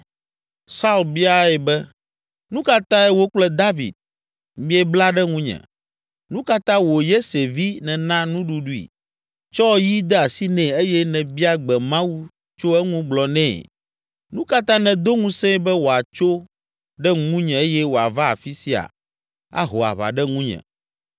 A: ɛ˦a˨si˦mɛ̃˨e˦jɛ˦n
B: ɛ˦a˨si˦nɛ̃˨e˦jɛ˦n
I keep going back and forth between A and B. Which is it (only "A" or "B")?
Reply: B